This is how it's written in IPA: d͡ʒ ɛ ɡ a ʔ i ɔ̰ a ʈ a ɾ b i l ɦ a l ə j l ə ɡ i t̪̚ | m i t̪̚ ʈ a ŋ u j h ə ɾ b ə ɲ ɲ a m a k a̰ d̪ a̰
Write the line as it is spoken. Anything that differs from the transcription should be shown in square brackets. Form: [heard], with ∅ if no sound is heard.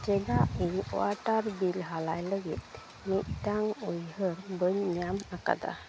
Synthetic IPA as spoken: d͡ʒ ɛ ɡ a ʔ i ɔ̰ a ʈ a ɾ b i l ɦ a l [a] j l ə ɡ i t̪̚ | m i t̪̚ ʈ a ŋ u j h ə ɾ b ə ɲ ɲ a m a k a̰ d̪ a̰